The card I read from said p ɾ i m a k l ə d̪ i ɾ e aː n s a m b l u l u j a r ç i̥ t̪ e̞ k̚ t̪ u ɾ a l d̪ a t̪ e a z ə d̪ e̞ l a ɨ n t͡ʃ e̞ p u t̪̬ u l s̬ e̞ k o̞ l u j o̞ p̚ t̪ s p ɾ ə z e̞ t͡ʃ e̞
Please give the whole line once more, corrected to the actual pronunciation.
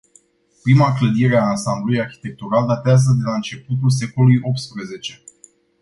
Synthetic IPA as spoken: p ɾ i m a k l ə d̪ i ɾ e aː n s a m b l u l u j a r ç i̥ t̪ e̞ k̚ t̪ u ɾ a l d̪ a t̪ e a z ə d̪ e̞ l a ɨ n t͡ʃ e̞ p u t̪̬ u l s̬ e̞ k o̞ l u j o̞ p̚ t̪ s p ɾ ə z e̞ t͡ʃ e̞